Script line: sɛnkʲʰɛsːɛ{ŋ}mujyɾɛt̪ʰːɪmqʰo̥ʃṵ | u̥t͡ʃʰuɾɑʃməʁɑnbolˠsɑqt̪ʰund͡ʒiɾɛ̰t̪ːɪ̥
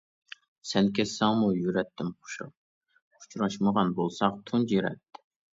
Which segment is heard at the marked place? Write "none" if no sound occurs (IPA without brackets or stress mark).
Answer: ŋ